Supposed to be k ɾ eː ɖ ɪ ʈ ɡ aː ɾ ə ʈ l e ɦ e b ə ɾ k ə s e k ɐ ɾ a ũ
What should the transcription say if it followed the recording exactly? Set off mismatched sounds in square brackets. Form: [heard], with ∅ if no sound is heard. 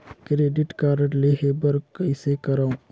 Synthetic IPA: k ɾ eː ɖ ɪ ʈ [k] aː ɾ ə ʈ l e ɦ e b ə ɾ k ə s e k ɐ ɾ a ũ